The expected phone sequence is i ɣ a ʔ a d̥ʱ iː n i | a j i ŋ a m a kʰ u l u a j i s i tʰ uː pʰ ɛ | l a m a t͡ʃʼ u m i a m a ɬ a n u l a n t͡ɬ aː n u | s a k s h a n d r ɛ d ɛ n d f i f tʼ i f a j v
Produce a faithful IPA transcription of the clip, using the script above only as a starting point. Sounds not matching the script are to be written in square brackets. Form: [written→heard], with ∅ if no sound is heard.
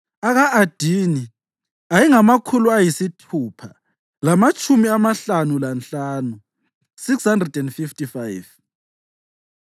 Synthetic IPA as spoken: [i→a] ɣ a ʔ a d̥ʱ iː n i | a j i ŋ a m a kʰ u l u a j i s i tʰ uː pʰ [ɛ→a] | l a m a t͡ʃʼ u m i a m a ɬ a n u l a n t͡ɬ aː n u | s [a→i] k s h a n d r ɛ d ɛ n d f i f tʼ i f a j v